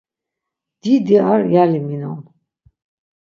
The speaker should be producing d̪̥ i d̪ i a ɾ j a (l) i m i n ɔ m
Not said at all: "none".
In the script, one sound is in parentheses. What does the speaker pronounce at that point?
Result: l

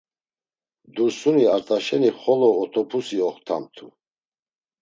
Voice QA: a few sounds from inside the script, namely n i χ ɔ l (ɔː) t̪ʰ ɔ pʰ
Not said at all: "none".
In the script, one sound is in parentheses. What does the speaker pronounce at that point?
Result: ɔː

